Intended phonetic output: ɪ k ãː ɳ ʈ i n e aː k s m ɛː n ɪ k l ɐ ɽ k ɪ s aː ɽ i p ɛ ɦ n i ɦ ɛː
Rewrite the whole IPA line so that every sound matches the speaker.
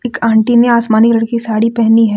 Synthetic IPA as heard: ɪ k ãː ɳ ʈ i n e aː s m aː n ɪ k l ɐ ɽ k i s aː ɽ i p ɛ ɦ n i ɦ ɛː

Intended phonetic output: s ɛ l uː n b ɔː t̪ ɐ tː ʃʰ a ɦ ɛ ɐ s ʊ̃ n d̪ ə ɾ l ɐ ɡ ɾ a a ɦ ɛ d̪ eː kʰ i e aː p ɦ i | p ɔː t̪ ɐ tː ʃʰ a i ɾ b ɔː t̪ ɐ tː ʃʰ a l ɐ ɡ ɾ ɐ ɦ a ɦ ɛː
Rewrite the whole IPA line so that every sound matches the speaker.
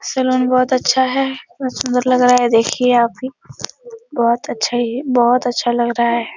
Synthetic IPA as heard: s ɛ l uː n b ɔː t̪ ɐ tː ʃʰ a ɦ ɛ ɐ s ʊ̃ n d̪ ə ɾ l ɐ ɡ ɾ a a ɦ ɛ d̪ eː kʰ i e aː p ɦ i | b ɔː t̪ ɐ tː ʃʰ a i b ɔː t̪ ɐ tː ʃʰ a l ɐ ɡ ɾ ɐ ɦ a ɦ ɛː

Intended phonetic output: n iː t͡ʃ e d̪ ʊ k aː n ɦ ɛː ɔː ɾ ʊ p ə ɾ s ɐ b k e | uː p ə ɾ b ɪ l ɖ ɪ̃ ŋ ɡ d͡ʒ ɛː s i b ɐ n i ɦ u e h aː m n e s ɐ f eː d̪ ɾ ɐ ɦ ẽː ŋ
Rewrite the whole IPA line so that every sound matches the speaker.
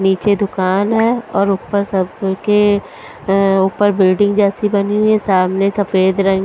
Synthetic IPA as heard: n iː t͡ʃ e d̪ ʊ k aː n ɦ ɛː ɔː ɾ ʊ p ə ɾ s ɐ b k e | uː p ə ɾ b ɪ l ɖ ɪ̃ ŋ ɡ d͡ʒ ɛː s i b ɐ n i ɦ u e s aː m n e s ɐ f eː d̪ ɾ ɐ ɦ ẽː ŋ

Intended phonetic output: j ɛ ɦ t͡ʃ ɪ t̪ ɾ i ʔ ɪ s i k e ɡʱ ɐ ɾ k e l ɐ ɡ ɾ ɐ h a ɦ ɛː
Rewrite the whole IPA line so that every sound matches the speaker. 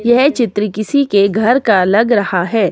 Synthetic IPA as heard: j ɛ ɦ t͡ʃ ɪ t̪ ɾ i k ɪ s i k e ɡʱ ɐ ɾ k a l ɐ ɡ ɾ ɐ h a ɦ ɛː

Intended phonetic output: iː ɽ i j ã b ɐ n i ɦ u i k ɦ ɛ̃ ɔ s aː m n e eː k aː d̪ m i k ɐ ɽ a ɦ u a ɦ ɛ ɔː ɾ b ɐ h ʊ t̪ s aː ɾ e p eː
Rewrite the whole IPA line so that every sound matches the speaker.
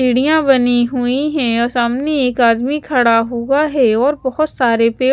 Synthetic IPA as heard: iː ɽ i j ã b ɐ n i ɦ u i ɦ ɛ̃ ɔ s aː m n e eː k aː d̪ m i kʰ ɐ ɽ a ɦ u a ɦ ɛ ɔː ɾ b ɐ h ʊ t̪ s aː ɾ e p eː

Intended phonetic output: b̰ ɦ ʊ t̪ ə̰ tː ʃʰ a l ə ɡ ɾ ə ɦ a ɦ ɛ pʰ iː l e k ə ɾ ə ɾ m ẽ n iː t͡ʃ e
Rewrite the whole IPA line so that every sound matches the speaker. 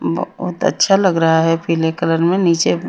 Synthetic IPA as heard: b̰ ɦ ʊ t̪ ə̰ tː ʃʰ a l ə ɡ ɾ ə ɦ a ɦ ɛ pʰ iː l e k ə l ə ɾ m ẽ n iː t͡ʃ e

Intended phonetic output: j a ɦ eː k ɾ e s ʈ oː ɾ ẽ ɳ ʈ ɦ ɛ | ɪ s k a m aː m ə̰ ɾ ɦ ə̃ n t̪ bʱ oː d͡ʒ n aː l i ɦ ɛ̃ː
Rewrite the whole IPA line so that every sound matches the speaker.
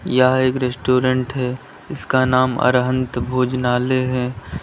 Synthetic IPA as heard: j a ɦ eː k ɾ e s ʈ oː ɾ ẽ ɳ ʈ ɦ ɛ | ɪ s k a n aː m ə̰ ɾ ɦ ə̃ n t̪ bʱ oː d͡ʒ n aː l e ɦ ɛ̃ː

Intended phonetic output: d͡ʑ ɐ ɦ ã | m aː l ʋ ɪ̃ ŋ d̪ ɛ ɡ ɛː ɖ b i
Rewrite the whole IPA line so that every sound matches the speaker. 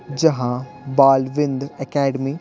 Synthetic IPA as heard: d͡ʑ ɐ ɦ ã | b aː l ʋ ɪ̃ n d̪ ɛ k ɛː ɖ m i

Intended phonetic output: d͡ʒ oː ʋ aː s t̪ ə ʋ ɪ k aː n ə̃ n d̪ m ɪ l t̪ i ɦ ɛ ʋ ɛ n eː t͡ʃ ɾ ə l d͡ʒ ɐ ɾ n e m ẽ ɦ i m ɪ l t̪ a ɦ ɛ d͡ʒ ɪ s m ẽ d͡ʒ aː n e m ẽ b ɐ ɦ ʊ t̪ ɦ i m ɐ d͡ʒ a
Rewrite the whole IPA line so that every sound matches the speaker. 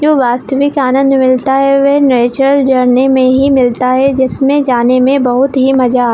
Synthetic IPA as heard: d͡ʒ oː ʋ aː s t̪ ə ʋ ɪ k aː n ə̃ n d̪ m ɪ l t̪ a ɦ ɛ ʋ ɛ n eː t͡ʃ ɾ ə l d͡ʒ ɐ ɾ n e m ẽ ɦ i m ɪ l t̪ a ɦ ɛ d͡ʒ ɪ s m ẽ d͡ʒ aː n e m ẽ b ɐ ɦ ʊ t̪ ɦ i m ɐ d͡ʒ a

